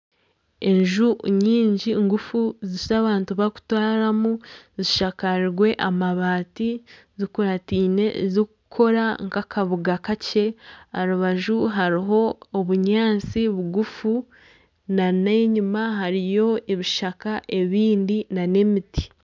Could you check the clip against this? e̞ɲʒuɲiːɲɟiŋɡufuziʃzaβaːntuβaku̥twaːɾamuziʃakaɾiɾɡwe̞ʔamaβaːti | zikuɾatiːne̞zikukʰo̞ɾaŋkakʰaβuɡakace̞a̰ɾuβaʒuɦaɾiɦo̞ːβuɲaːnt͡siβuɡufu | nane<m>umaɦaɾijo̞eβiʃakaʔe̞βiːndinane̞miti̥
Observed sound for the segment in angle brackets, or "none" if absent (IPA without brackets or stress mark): ɲ